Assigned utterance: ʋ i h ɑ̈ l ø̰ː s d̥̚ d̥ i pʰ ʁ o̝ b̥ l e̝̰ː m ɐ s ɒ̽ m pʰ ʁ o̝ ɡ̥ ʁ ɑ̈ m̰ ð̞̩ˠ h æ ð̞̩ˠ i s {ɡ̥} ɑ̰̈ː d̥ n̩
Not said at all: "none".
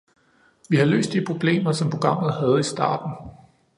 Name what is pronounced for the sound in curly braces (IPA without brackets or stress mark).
d̥